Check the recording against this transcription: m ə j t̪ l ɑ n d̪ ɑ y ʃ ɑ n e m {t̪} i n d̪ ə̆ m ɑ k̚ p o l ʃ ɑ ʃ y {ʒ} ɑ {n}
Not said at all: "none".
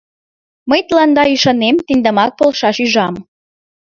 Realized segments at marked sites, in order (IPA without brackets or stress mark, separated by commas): t̪, ʒ, m